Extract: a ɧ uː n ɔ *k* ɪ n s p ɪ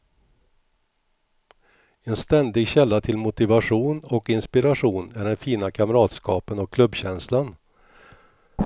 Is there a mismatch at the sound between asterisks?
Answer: no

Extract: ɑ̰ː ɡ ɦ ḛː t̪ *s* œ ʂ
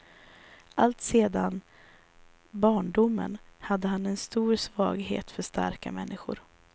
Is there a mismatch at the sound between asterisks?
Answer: yes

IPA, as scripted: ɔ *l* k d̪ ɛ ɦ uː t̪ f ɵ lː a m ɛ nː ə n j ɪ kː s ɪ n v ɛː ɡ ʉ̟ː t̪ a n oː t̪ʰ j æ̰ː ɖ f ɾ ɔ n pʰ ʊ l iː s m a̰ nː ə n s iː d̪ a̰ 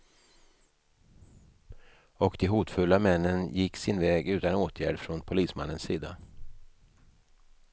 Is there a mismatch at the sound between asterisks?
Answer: yes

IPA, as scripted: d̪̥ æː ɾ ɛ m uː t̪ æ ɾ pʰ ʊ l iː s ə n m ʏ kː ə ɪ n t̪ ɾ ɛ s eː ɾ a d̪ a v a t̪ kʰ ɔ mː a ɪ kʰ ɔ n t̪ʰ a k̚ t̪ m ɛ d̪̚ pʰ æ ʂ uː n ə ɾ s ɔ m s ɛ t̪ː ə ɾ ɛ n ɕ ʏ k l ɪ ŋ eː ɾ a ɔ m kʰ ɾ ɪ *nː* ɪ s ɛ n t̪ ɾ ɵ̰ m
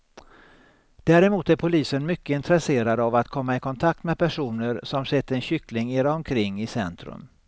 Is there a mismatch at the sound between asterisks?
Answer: yes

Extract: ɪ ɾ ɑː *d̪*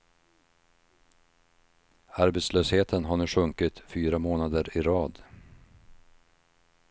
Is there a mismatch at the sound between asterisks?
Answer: no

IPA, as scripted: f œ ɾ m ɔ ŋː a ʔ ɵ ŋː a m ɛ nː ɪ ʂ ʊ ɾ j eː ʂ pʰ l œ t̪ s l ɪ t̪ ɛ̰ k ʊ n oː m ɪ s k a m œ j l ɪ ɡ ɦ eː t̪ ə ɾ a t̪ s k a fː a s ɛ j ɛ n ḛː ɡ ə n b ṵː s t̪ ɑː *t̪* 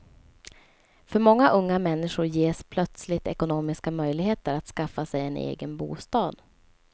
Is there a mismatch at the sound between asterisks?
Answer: yes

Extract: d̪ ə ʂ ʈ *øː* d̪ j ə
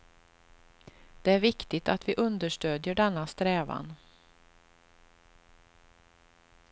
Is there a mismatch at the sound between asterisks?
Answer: no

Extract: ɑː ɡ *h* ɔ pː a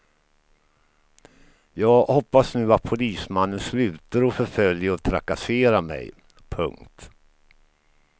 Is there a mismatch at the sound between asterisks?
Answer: no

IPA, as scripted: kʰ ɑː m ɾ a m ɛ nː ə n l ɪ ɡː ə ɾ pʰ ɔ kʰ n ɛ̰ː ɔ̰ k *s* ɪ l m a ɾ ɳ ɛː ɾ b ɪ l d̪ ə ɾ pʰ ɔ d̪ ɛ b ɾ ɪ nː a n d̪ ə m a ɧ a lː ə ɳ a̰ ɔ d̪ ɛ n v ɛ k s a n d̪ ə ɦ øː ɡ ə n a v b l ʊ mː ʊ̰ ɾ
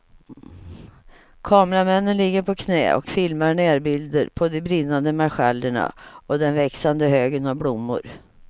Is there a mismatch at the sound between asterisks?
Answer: yes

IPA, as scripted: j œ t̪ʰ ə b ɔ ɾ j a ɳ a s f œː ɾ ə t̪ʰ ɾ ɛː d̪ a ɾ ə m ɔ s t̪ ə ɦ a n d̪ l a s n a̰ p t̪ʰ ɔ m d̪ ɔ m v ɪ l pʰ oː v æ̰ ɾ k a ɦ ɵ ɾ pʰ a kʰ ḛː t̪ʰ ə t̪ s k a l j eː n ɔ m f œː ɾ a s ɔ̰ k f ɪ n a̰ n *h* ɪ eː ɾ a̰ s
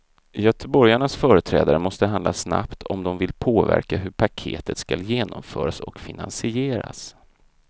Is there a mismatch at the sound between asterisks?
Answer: yes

